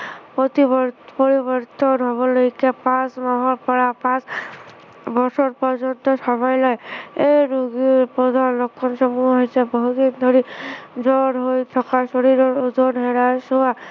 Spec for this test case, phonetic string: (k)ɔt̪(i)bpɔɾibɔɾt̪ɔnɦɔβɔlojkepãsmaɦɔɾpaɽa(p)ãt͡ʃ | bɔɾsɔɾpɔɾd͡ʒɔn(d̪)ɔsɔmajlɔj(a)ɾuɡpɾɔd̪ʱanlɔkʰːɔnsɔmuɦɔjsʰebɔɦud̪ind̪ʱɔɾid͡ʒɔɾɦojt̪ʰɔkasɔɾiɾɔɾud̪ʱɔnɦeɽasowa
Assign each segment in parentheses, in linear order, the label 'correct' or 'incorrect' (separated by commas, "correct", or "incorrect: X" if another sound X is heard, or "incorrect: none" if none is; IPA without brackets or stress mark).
incorrect: p, correct, correct, incorrect: t̪, incorrect: e